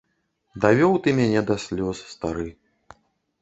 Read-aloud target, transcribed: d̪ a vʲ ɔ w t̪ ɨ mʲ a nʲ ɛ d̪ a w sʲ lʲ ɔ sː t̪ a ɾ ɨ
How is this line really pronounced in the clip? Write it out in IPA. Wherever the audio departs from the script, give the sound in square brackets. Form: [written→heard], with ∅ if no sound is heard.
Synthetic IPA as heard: d̪ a vʲ ɔ w t̪ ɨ mʲ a nʲ ɛ d̪ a [w→∅] sʲ lʲ ɔ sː t̪ a ɾ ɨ